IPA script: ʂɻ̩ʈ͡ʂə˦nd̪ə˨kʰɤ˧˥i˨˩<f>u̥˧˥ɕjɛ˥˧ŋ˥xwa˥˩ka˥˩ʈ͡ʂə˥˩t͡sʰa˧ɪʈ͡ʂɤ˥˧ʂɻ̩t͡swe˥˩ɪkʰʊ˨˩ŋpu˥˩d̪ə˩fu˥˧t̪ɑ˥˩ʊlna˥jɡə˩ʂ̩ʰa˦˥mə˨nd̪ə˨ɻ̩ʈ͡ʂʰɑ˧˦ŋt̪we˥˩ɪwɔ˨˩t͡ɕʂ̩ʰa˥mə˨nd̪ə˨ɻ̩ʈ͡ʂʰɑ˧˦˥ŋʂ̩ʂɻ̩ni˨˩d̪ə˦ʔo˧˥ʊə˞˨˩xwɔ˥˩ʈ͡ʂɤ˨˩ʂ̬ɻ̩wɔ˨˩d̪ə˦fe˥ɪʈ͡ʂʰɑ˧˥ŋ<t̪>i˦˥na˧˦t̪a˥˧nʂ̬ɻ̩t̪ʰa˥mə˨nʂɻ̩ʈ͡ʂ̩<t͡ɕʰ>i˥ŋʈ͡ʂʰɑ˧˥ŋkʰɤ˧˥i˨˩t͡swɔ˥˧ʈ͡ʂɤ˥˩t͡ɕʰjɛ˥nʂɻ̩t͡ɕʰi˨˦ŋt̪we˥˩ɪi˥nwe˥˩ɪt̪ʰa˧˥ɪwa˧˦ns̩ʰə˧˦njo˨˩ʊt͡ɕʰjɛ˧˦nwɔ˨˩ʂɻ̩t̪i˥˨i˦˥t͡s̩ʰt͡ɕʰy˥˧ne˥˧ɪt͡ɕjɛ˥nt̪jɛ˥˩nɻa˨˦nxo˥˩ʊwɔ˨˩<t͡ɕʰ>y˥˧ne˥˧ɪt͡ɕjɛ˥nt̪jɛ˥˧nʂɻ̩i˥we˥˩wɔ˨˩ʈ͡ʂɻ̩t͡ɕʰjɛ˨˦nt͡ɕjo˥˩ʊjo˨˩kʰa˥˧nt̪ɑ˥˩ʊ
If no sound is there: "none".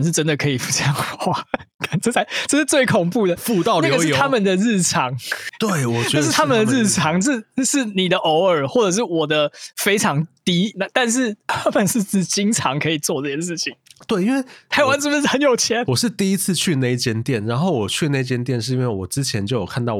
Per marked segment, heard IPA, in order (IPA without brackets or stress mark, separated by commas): f, t̪, t͡ɕ, t͡ɕʰ